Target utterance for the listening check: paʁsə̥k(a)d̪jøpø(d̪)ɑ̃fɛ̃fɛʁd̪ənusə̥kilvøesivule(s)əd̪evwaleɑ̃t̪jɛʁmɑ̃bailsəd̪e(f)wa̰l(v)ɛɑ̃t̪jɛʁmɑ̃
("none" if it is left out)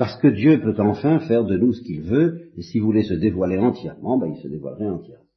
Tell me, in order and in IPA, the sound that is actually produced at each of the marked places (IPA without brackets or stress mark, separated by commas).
ə, t̪, s, v, ʁ